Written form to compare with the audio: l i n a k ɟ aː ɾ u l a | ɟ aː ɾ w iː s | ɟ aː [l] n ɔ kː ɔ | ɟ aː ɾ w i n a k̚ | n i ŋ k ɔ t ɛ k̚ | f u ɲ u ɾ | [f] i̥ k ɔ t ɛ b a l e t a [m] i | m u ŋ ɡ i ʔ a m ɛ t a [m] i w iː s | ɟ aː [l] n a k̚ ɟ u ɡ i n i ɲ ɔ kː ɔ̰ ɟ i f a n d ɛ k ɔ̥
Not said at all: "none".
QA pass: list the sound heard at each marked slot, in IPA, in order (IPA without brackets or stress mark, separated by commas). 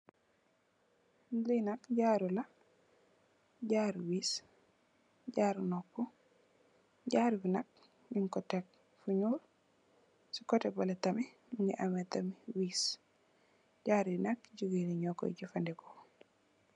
ɾ, s, m, m, ɾ